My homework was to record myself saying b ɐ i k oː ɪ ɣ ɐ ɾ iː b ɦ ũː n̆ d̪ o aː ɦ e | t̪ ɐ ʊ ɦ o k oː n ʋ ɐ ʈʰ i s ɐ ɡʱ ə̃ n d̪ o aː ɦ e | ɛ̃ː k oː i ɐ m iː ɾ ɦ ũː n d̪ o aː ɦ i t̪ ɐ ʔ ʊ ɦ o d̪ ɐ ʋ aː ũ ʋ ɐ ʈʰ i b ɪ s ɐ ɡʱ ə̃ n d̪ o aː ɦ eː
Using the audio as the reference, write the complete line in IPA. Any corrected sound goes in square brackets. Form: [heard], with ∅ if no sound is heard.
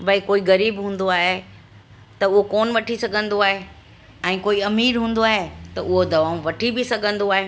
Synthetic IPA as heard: b ɐ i k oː [i] ɣ ɐ ɾ iː b ɦ ũː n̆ d̪ o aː ɦ e | t̪ ɐ ʊ ɦ o k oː n ʋ ɐ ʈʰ i s ɐ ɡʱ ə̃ n d̪ o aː ɦ e | ɛ̃ː k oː i ɐ m iː ɾ ɦ ũː n d̪ o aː ɦ [e] t̪ ɐ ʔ ʊ ɦ o d̪ ɐ ʋ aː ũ ʋ ɐ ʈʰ i b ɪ s ɐ ɡʱ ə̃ n d̪ o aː ɦ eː